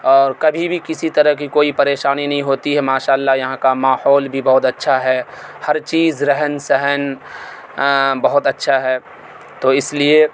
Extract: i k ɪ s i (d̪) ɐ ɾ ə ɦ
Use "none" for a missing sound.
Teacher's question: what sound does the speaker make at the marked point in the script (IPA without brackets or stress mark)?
t̪